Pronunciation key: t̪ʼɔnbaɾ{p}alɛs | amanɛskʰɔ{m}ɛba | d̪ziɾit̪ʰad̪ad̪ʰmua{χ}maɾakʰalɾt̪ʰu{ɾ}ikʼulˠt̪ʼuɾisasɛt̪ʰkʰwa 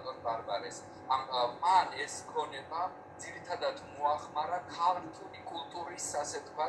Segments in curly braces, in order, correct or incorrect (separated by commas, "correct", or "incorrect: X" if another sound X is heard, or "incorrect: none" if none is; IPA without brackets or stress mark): incorrect: b, incorrect: n, correct, incorrect: l